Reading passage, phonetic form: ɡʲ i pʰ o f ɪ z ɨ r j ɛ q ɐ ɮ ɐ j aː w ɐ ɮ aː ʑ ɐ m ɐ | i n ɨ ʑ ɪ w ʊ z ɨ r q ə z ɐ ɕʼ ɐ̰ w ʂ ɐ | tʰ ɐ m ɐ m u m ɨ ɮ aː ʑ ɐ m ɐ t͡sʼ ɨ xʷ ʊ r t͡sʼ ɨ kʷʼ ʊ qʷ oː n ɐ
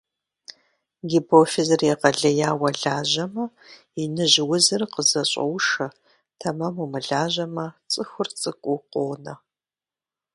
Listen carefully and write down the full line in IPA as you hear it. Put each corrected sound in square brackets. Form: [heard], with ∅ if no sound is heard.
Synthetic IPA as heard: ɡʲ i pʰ o f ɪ z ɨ r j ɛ q ɐ ɮ ɐ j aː w ɐ ɮ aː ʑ ɐ m ɐ | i n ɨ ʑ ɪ w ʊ z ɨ r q ə z ɐ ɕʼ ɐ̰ w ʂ ɐ | tʰ ɐ m ɐ m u m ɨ ɮ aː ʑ ɐ m ɐ t͡sʼ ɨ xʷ ʊ r t͡sʼ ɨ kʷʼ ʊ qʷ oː n ɐ